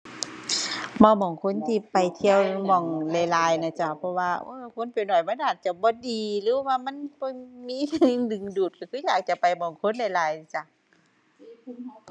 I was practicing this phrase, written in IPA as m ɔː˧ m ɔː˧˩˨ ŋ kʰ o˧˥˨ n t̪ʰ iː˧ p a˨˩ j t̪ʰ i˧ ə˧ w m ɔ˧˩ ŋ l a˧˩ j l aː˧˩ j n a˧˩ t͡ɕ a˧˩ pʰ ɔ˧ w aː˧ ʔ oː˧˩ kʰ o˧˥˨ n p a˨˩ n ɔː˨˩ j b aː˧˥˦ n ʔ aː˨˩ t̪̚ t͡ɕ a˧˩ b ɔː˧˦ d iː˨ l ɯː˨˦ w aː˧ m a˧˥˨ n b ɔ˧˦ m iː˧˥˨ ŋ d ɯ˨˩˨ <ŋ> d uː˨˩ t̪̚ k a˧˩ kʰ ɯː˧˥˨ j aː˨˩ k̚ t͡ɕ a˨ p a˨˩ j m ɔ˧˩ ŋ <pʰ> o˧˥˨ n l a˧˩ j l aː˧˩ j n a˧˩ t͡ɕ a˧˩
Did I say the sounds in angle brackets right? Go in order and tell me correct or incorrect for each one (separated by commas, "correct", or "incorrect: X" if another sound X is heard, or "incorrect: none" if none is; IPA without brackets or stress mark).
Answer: correct, incorrect: kʰ